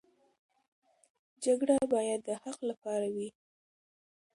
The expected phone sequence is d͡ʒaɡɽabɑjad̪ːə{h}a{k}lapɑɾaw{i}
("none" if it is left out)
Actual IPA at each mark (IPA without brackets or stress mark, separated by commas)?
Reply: h, q, i